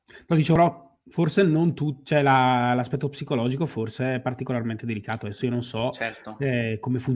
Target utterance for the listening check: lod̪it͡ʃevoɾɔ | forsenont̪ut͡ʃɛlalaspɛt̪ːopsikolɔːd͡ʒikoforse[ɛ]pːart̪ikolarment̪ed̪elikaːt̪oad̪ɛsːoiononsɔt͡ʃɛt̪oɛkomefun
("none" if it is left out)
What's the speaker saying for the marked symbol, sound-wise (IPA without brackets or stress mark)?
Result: ɛ